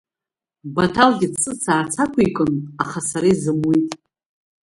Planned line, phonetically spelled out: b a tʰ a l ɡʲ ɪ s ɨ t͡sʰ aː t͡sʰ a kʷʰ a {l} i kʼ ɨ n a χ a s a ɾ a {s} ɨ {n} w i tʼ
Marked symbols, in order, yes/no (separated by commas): no, no, no